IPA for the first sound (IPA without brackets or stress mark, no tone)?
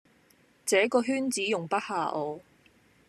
t͡s